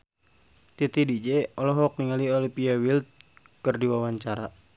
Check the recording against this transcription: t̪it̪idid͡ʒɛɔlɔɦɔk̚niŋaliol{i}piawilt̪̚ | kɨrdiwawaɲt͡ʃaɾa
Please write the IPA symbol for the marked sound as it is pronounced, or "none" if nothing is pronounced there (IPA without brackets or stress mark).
i